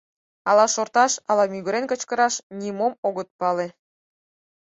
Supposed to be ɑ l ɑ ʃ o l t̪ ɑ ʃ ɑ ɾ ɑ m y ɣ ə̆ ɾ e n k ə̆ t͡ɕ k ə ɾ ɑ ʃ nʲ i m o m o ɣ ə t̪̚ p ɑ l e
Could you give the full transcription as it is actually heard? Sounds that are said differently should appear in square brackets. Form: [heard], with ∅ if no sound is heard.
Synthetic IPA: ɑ l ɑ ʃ o [r] t̪ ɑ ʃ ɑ [l] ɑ m y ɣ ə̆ ɾ e n k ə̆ t͡ɕ k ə ɾ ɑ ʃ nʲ i m o m o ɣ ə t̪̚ p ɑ l e